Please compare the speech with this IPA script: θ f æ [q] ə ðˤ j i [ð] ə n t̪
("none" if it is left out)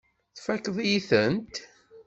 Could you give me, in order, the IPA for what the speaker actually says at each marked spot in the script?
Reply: k, θ

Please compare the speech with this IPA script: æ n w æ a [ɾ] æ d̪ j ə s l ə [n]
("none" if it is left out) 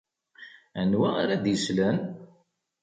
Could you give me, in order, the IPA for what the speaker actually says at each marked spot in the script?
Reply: ɾ, n

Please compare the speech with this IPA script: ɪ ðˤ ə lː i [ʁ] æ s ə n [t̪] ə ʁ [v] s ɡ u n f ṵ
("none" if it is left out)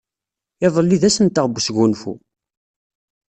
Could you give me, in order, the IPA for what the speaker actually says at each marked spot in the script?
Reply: ð, t̪, b

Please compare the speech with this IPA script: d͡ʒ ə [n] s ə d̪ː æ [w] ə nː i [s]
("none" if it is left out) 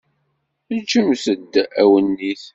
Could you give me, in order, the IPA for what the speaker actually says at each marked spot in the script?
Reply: m, w, θ

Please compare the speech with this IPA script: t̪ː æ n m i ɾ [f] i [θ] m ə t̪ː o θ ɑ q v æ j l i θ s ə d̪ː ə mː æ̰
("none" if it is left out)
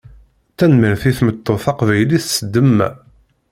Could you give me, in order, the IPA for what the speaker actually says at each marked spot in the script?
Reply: θ, θ

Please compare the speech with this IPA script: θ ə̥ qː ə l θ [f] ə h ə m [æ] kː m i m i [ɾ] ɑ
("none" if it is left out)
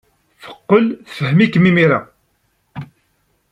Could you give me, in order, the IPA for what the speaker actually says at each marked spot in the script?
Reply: f, i, ɾ

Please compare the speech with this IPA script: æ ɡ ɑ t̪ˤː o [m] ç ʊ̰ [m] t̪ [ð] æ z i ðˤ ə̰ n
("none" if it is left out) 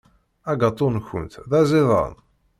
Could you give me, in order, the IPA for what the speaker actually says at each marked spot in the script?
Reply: n, n, ð

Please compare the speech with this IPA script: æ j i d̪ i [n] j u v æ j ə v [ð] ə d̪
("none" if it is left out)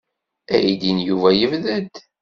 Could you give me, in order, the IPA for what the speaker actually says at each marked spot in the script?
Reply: n, ð

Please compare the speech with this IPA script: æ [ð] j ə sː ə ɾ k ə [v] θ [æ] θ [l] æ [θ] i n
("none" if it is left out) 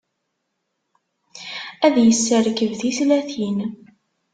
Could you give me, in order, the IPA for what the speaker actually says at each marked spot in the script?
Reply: ð, v, i, l, θ

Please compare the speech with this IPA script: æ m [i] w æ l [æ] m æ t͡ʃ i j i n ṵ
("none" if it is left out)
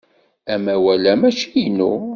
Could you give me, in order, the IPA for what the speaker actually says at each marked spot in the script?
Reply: æ, æ

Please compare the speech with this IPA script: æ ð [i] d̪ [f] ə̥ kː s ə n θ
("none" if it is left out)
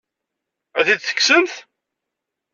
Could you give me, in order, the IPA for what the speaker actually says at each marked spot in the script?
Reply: i, θ

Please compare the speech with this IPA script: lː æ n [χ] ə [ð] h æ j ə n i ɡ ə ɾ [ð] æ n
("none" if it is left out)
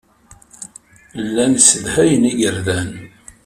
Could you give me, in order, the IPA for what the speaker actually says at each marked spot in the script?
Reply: s, ð, ð

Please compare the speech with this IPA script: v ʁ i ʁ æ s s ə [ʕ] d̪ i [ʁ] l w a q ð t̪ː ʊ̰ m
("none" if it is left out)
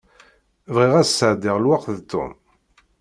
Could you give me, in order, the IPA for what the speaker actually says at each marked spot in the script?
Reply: ʕ, ʁ

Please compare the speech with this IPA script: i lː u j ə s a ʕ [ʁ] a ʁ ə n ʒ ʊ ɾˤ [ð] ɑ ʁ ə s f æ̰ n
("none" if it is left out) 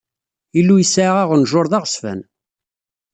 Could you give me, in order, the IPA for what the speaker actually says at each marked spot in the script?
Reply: ʁ, ð

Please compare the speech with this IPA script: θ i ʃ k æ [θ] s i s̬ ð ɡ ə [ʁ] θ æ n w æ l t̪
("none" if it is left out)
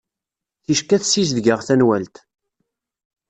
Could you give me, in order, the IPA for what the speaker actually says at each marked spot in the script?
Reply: θ, ʁ

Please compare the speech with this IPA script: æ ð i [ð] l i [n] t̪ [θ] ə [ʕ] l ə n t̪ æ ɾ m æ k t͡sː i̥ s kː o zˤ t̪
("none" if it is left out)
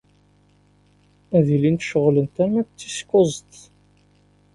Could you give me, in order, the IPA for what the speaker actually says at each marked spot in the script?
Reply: none, n, ʃ, ʁ

